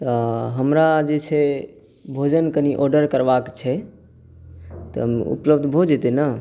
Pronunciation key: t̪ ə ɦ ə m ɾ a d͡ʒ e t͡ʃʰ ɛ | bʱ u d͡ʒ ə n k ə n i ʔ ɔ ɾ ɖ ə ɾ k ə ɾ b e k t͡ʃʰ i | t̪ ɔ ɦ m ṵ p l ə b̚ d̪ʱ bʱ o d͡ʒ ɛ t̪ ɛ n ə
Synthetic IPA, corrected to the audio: t̪ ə ɦ ə m ɾ a d͡ʒ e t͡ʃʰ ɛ | bʱ o d͡ʒ ə n k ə n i ʔ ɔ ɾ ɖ ə ɾ k ə ɾ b a k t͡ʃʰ ɛ | t̪ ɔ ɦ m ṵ p l ə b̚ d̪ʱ bʱ o d͡ʒ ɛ t̪ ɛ n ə